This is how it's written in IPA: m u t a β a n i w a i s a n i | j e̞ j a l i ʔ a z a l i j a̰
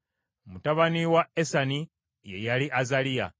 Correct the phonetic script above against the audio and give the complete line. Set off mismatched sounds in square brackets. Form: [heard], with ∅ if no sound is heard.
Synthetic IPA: m u t a β a n i w a [e] s a n i | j e̞ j a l i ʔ a z a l i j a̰